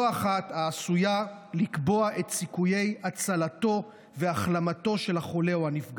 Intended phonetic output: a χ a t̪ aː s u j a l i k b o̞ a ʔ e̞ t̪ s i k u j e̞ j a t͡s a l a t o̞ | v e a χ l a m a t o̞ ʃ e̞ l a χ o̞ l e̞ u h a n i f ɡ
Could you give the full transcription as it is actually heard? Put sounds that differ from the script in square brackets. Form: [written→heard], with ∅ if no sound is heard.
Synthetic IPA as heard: a χ a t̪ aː s u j a l i k b o̞ a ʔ e̞ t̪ s i k u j e̞ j a t͡s a l a t o̞ | v e a χ l a m a t o̞ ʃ e̞ l a χ o̞ l e̞ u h a n i f ɡ